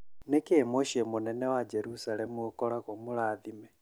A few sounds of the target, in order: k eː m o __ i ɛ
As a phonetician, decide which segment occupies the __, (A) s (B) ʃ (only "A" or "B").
B